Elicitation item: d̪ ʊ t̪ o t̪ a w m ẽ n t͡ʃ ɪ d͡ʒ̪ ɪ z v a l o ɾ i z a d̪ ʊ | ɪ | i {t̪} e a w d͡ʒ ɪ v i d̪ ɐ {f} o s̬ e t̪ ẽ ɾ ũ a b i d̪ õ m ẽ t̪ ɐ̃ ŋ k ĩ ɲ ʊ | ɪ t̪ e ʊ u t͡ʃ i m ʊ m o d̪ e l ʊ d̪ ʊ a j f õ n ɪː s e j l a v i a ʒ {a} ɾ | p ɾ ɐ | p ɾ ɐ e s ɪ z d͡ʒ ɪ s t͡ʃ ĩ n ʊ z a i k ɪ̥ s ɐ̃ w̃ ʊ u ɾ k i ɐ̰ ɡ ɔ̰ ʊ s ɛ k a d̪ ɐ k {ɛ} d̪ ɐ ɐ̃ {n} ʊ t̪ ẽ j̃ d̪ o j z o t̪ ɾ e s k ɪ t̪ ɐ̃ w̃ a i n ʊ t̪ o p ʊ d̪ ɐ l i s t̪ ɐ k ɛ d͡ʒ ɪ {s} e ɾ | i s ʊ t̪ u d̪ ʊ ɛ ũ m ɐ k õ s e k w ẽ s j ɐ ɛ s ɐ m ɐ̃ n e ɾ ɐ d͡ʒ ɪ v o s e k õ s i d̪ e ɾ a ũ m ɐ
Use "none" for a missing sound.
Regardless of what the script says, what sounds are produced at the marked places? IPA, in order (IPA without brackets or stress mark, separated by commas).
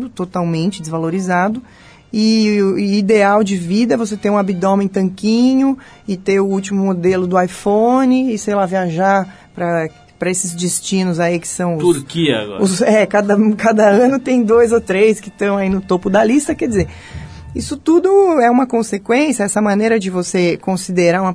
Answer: d̪, v, a, a, n, z